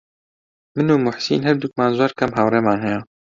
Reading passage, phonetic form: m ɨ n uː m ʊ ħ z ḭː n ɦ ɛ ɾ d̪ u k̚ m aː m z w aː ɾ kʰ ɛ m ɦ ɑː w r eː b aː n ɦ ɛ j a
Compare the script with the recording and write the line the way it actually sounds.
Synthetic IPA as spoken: m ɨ n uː m ʊ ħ s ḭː n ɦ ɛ ɾ d̪ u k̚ m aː n z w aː ɾ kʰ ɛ m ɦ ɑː w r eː m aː n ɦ ɛ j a

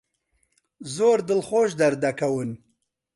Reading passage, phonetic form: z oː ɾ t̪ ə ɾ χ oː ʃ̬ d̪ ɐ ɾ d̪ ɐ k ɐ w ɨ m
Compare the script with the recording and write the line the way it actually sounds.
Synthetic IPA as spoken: z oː ɾ d̪ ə l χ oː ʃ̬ d̪ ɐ ɾ d̪ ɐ k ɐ w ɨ n

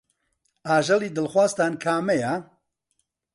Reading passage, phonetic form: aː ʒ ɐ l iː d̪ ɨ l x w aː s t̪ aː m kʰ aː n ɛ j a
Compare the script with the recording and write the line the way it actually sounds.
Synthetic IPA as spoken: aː ʒ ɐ l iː d̪ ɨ l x w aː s t̪ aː n kʰ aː m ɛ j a

